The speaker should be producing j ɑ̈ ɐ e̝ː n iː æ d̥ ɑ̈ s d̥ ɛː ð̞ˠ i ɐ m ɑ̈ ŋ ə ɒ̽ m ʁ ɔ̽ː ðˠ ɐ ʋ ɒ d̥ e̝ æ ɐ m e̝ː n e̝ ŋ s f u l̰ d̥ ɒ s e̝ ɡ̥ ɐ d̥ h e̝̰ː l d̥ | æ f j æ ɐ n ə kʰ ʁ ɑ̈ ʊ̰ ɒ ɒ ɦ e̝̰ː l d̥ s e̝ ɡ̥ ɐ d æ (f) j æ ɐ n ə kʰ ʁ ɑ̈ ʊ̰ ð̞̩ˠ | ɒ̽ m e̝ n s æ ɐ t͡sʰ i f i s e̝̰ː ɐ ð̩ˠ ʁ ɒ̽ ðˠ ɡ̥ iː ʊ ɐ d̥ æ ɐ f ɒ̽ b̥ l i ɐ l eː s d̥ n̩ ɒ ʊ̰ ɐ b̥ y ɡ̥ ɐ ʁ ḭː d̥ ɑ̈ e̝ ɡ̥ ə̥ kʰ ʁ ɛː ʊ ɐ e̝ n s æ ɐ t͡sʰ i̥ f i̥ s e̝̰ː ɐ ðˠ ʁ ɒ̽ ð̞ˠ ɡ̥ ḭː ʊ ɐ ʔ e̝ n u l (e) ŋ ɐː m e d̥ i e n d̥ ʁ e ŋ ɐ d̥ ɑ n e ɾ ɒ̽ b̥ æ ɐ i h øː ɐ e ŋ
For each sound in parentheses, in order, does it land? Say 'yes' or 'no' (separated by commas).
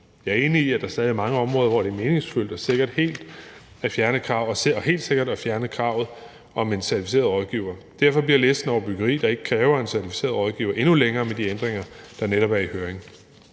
yes, yes